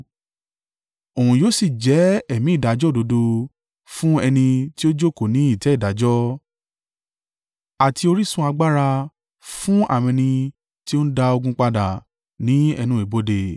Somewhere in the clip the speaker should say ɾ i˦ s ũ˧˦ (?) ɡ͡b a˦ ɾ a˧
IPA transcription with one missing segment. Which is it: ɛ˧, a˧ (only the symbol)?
a˧